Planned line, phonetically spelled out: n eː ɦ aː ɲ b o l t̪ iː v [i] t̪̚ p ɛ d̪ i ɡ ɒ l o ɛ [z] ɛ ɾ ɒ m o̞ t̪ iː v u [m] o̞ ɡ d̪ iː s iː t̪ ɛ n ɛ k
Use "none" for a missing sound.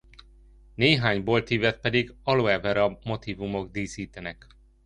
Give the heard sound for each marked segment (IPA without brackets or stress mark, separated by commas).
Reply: ɛ, v, m